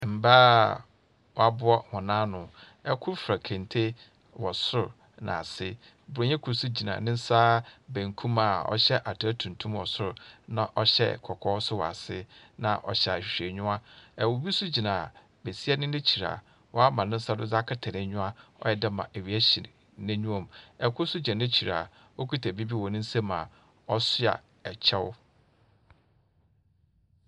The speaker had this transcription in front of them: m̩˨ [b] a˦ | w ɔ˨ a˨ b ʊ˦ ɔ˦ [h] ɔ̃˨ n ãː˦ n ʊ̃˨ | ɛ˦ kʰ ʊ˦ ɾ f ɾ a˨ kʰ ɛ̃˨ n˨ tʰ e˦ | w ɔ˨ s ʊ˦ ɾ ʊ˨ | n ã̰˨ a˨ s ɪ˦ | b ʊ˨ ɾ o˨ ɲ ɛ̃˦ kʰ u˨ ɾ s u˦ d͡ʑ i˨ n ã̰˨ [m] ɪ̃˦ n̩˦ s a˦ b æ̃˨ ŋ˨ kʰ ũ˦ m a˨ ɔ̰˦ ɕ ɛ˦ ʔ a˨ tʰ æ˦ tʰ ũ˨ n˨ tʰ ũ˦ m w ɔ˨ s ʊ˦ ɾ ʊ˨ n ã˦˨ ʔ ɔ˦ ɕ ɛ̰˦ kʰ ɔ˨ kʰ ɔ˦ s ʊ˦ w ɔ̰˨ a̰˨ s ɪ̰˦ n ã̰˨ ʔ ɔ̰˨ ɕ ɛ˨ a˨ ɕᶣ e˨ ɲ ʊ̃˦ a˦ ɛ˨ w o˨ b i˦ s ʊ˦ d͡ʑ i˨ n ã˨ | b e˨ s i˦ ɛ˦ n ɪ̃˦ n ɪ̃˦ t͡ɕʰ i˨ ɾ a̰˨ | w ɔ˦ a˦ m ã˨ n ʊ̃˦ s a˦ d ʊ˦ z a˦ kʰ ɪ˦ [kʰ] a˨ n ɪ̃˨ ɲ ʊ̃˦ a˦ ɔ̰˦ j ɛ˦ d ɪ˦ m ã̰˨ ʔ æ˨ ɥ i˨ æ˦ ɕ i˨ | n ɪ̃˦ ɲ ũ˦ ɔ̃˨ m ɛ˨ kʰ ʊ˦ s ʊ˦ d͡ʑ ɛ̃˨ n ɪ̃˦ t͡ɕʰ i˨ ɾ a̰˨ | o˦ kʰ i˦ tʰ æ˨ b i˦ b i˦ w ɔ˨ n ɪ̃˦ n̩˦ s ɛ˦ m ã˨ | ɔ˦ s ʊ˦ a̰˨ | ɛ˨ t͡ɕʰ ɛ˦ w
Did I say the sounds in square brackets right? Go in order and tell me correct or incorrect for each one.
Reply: correct, correct, incorrect: n, incorrect: tʰ

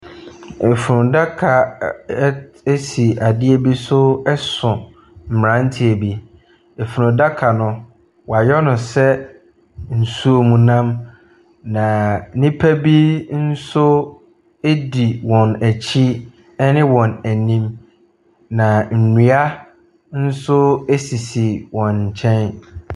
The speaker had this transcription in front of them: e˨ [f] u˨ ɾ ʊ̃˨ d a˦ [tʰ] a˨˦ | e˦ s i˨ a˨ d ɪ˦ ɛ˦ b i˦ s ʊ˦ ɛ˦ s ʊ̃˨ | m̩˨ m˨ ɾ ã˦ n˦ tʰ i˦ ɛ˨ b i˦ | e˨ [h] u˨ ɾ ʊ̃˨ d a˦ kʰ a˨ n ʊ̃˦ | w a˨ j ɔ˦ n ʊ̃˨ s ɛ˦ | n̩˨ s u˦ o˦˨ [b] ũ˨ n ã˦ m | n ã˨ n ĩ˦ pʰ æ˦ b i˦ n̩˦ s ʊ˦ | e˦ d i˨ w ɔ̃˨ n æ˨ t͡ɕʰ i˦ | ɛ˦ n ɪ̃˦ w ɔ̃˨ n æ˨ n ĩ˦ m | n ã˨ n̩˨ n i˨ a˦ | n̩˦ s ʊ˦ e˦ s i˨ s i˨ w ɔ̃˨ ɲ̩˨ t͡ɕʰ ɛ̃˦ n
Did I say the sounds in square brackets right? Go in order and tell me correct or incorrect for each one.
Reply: correct, incorrect: kʰ, incorrect: f, incorrect: m

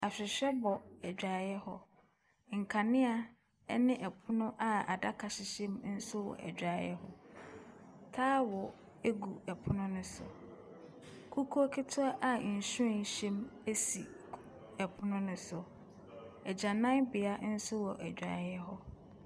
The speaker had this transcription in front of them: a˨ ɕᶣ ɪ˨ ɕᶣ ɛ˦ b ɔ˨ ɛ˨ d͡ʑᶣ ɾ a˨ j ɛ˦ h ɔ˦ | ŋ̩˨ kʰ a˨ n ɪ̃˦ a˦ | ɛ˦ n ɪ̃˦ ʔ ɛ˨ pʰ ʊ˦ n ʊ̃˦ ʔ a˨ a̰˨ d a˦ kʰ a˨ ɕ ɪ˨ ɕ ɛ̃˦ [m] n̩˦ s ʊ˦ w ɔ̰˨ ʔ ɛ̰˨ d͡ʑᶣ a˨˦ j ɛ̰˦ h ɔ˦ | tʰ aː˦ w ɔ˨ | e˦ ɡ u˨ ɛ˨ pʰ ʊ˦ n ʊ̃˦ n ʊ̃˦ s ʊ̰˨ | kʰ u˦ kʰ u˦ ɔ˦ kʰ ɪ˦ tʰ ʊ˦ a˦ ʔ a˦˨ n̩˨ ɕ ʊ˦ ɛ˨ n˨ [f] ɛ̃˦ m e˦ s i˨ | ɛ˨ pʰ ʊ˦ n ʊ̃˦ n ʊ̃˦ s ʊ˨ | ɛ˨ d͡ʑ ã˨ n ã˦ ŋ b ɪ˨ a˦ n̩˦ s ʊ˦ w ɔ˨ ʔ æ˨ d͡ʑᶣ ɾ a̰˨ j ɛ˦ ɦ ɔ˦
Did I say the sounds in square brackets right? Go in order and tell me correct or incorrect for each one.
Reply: correct, incorrect: ɕ

